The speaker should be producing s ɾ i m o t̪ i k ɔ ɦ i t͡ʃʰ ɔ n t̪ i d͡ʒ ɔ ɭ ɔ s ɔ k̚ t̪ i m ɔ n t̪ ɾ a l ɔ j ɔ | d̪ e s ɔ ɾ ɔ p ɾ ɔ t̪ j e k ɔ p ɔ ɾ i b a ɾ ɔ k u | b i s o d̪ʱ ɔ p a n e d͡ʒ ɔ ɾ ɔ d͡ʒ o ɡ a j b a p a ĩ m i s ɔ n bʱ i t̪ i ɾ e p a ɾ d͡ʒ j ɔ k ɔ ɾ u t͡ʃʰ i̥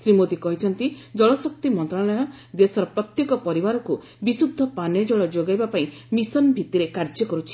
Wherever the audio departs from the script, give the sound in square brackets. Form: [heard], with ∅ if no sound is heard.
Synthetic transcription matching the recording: s ɾ i m o t̪ i k ɔ ɦ i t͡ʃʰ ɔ n t̪ i d͡ʒ ɔ ɭ ɔ s ɔ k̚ t̪ i m ɔ n t̪ ɾ a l ɔ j ɔ | d̪ e s ɔ ɾ ɔ p ɾ ɔ t̪ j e k ɔ p ɔ ɾ i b a ɾ ɔ k u | b i s [u] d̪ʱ ɔ p a n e d͡ʒ ɔ [ɭ] ɔ d͡ʒ o ɡ a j b a p a ĩ m i s ɔ n bʱ i t̪ i ɾ e [k] a ɾ d͡ʒ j ɔ k ɔ ɾ u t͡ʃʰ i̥